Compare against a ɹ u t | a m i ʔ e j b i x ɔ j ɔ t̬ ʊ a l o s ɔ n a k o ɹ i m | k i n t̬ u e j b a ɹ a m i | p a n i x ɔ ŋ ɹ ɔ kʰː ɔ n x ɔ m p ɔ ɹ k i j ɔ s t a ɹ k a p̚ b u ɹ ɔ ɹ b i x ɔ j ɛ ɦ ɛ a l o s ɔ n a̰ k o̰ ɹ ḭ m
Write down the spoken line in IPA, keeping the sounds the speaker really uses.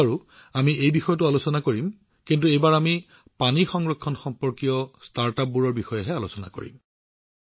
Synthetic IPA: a ɹ u | a m i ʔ e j b i x ɔ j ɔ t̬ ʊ a l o s ɔ n a k o ɹ i m | k i n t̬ u e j b a ɹ a m i | p a n i x ɔ ŋ ɹ ɔ kʰː ɔ n x ɔ m p ɔ ɹ k i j ɔ s t a ɹ t a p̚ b u ɹ ɔ ɹ b i x ɔ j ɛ ɦ ɛ a l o s ɔ n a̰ k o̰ ɹ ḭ m